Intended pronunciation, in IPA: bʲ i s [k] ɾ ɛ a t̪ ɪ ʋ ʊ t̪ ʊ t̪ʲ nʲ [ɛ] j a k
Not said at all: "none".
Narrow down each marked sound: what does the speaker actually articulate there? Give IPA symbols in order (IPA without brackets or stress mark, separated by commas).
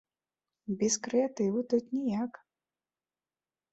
k, i